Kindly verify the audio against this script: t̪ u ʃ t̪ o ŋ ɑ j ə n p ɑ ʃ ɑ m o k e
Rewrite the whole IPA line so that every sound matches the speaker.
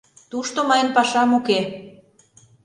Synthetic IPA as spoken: t̪ u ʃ t̪ o m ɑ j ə n p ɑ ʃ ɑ m u k e